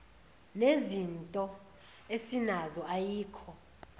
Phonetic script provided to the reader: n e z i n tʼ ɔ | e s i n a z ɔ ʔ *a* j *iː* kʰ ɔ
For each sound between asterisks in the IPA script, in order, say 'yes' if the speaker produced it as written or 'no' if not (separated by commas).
yes, yes